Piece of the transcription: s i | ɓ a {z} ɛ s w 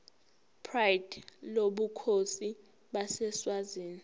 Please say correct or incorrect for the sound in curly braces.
incorrect